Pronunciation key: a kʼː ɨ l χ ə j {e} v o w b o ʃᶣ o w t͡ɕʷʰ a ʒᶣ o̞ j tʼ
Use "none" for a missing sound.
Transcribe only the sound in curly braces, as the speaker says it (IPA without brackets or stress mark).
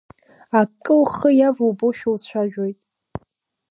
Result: a